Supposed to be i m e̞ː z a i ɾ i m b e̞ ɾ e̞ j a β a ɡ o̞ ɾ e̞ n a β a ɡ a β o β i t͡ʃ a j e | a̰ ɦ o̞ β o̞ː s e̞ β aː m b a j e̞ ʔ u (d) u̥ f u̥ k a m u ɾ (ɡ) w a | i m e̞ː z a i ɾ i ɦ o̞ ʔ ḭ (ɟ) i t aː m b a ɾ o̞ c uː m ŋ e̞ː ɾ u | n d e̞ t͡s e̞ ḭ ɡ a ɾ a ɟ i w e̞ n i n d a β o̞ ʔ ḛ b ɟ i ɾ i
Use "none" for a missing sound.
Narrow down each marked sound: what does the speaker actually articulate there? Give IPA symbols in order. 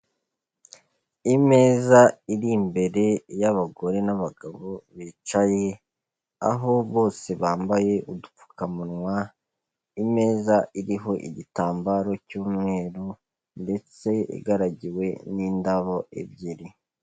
d, ŋ, ɟ

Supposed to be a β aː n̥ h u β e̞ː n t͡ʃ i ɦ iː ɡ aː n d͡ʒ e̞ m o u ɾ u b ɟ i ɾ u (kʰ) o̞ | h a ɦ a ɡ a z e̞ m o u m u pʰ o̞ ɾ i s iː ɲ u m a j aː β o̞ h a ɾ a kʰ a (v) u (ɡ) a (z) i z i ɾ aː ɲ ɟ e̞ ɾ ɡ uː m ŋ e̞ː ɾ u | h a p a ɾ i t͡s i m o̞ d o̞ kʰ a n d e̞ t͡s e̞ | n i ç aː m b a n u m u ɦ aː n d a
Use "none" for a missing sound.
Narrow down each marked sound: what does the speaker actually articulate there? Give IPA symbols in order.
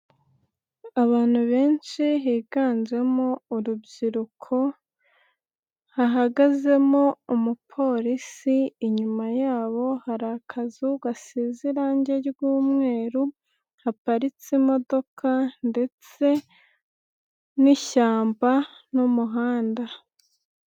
kʰ, z, ɡ, s

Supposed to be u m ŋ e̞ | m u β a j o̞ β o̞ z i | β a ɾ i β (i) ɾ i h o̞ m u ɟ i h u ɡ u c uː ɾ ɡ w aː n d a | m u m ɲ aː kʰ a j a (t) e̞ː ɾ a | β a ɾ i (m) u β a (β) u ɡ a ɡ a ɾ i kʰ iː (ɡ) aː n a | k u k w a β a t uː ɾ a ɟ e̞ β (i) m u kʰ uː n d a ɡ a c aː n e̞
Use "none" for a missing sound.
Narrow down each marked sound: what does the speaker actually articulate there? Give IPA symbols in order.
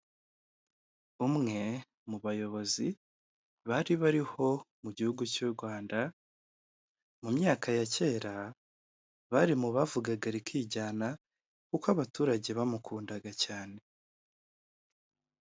a, c, m, v, ɟ, a

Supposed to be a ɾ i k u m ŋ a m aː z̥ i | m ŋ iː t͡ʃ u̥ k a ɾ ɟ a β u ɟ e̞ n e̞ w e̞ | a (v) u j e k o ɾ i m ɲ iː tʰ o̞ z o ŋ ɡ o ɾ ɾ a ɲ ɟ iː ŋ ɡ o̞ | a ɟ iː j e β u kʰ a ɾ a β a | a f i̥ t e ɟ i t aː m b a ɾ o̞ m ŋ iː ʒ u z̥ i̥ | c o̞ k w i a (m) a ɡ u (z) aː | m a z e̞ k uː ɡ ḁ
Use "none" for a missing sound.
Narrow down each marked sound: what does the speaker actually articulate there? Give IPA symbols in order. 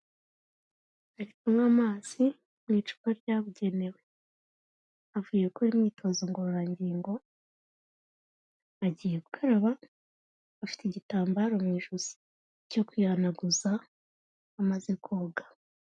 v, n, z

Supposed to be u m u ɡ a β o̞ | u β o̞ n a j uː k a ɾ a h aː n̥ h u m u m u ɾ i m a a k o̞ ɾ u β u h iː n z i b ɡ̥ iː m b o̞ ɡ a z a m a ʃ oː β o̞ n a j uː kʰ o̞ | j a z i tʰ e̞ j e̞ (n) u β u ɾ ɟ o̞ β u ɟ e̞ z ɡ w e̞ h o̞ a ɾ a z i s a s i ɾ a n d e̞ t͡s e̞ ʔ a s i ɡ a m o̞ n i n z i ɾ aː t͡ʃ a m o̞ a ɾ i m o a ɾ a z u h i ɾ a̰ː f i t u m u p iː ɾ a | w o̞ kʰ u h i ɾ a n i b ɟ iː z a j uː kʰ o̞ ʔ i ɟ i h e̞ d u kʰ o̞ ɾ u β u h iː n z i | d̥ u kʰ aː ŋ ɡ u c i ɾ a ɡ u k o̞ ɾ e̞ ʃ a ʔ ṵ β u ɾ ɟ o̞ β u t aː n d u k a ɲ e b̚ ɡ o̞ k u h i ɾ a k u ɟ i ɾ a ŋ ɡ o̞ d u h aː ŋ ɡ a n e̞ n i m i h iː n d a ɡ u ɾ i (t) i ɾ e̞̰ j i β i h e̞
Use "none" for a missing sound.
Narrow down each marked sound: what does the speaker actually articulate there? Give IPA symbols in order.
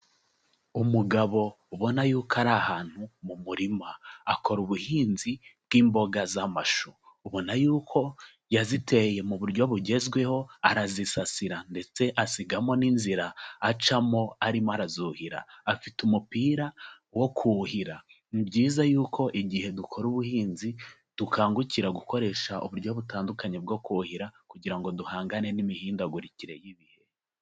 m, c

